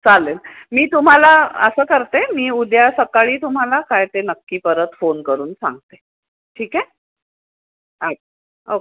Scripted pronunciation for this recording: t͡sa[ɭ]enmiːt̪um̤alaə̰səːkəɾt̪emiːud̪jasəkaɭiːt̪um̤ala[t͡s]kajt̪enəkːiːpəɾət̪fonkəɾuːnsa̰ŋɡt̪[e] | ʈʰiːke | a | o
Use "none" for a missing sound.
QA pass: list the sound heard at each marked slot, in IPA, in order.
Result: l, none, e

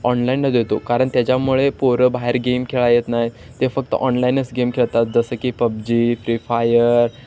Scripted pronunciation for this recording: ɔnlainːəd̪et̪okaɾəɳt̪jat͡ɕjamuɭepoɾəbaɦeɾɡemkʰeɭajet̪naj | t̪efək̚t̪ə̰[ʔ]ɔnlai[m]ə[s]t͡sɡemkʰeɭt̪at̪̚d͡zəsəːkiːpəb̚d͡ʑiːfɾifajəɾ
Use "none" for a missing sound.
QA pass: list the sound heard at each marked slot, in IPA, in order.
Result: ʔ, n, s

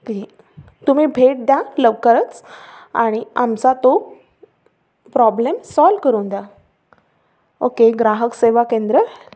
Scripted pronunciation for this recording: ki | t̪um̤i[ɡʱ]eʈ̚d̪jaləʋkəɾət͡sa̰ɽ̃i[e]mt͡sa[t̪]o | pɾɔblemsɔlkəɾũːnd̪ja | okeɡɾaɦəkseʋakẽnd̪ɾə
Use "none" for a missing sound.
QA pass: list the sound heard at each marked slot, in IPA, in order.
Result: bʱ, a, t̪

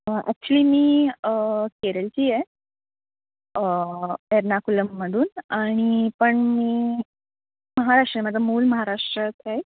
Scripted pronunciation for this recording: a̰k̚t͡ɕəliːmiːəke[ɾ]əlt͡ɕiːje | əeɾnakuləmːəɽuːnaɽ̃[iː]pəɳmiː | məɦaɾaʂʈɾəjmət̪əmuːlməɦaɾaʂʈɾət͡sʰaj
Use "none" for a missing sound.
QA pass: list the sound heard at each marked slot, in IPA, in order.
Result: ɾ, i

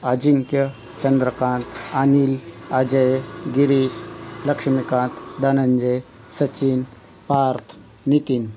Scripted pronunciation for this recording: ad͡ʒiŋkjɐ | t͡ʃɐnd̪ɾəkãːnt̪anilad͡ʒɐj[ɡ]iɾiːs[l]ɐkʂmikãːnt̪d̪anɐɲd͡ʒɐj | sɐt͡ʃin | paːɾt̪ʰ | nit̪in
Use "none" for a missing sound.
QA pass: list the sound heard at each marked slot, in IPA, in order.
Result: ɡ, l

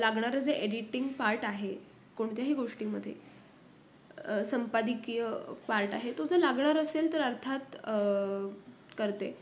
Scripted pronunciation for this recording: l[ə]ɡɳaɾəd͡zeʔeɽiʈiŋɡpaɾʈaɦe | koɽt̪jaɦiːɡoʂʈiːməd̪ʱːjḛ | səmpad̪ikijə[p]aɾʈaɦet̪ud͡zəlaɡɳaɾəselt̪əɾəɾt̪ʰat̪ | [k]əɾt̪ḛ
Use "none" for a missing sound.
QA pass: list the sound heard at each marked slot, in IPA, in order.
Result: a, p, k

